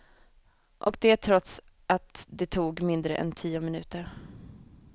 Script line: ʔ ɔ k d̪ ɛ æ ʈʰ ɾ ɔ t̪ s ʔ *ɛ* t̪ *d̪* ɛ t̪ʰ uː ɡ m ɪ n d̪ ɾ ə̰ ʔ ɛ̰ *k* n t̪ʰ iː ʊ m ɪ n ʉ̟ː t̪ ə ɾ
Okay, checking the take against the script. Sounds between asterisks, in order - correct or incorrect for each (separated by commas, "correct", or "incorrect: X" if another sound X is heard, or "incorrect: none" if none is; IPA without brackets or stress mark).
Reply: incorrect: a, correct, incorrect: none